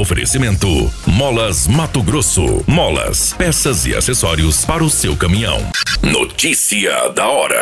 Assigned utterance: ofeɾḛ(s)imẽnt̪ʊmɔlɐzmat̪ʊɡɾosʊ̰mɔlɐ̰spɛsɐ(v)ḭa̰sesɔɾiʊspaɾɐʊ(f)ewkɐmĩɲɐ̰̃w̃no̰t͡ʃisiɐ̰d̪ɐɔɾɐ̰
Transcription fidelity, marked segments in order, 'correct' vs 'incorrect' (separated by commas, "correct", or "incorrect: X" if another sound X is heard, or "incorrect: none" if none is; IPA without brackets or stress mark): correct, incorrect: z, incorrect: s